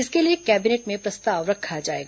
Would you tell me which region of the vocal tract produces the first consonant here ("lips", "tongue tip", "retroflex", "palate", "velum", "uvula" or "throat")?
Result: tongue tip